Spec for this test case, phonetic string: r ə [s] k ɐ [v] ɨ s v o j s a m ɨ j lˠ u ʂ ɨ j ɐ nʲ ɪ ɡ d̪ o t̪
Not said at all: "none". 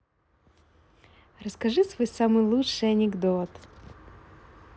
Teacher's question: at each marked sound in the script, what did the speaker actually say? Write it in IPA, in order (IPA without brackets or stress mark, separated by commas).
s, ʐ